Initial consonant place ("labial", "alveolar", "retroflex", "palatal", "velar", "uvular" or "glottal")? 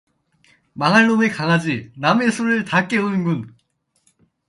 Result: labial